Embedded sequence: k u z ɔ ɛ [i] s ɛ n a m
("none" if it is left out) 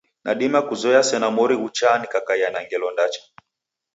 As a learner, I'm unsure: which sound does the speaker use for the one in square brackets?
a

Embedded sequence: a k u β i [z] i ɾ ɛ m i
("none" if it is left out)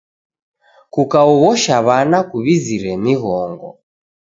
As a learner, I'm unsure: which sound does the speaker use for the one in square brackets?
z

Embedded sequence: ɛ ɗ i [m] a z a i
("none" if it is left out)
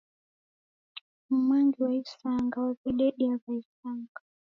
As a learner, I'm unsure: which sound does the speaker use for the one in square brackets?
none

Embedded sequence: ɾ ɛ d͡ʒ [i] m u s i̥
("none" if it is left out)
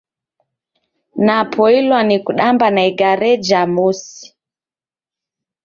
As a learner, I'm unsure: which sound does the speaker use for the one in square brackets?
a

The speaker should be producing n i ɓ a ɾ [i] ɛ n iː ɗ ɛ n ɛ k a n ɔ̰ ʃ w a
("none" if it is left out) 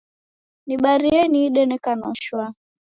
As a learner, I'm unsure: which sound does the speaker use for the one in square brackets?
i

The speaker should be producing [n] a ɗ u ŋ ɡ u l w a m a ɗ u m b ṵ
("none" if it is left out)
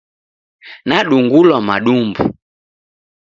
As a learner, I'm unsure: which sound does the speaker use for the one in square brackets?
n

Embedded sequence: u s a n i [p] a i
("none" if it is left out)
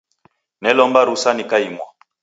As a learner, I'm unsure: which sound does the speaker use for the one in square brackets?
k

